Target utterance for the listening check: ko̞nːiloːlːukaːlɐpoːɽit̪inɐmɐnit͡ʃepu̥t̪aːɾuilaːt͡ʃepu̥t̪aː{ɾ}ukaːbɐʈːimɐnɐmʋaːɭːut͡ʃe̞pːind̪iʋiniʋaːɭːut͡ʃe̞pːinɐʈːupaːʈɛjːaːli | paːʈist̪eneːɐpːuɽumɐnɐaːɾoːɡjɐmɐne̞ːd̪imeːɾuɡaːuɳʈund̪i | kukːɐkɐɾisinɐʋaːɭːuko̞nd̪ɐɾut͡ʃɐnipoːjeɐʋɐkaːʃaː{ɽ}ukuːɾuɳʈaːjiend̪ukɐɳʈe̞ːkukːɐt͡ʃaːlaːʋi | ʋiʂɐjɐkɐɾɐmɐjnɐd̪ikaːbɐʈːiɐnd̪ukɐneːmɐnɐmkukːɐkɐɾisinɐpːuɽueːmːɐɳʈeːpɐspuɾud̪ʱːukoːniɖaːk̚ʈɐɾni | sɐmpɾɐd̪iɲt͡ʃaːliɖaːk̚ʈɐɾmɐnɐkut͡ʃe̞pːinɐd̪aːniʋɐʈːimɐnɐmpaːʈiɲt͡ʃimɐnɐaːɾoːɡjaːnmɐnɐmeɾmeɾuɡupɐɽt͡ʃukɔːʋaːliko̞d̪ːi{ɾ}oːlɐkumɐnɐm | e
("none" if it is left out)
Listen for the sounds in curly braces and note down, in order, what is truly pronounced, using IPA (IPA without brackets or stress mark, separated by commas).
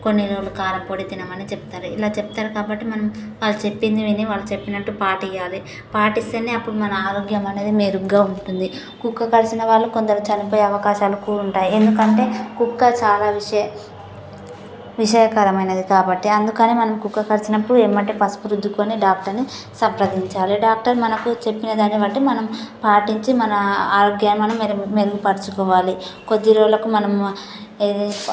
ɾ, l, ɾ